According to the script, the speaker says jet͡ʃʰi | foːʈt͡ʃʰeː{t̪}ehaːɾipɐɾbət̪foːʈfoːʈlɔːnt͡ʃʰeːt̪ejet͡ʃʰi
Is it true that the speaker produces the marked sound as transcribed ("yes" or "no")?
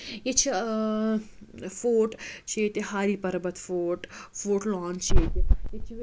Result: yes